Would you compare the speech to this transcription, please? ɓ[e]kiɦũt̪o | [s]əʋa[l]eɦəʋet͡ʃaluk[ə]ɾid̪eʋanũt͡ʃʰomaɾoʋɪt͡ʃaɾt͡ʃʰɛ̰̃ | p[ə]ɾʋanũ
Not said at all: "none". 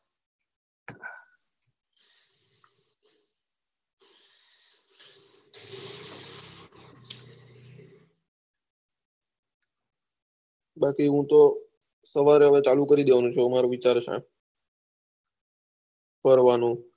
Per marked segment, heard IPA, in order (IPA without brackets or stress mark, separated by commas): a, s, ɾ, ə, ə